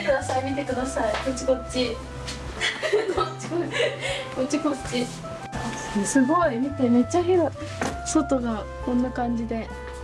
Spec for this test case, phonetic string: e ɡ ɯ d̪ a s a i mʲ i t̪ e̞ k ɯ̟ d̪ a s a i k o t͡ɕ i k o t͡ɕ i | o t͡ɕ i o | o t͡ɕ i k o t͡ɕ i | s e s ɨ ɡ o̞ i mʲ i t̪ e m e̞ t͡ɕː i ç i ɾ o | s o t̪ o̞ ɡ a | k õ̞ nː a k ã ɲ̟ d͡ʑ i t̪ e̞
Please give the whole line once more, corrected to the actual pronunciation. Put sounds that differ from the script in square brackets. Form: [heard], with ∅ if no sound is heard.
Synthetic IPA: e [k] ɯ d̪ a s a i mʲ i t̪ e̞ k ɯ̟ d̪ a s a i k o t͡ɕ i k o t͡ɕ i | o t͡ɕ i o | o t͡ɕ i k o t͡ɕ i | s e s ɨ ɡ o̞ i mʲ i t̪ e m e̞ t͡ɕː [a] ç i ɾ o | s o t̪ o̞ ɡ a | k õ̞ nː a k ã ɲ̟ d͡ʑ i [d̪] e̞